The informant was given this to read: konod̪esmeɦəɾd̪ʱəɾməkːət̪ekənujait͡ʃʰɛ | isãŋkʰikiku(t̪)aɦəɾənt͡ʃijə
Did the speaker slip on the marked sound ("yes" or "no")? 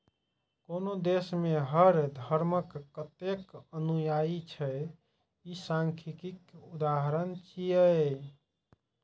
yes